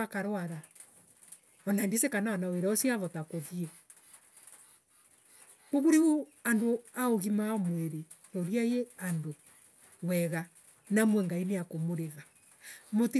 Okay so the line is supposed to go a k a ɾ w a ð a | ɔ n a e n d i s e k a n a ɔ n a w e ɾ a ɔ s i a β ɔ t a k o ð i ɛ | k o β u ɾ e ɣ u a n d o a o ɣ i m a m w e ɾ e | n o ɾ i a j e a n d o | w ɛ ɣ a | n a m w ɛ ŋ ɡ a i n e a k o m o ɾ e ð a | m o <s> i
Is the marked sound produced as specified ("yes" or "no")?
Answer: no